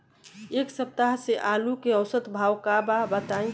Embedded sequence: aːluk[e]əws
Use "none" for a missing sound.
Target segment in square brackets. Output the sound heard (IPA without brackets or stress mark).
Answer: e